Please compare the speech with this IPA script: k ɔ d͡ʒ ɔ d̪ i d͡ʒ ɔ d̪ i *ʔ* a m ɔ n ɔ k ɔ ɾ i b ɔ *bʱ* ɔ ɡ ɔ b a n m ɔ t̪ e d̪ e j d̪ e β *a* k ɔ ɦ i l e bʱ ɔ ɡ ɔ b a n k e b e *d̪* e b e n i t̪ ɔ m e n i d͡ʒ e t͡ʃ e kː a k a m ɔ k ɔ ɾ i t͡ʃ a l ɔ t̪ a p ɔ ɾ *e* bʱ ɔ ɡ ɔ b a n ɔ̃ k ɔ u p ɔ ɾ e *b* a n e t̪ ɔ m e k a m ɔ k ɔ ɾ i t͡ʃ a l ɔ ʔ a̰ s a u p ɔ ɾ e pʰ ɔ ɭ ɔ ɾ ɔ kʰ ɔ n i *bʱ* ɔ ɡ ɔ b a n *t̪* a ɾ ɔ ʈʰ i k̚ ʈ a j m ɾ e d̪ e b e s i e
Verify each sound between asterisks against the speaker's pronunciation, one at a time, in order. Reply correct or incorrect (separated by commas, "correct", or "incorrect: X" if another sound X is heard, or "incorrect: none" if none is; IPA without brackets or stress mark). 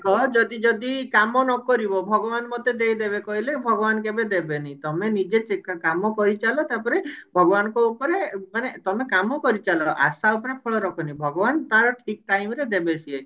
incorrect: k, correct, incorrect: e, correct, correct, incorrect: m, correct, correct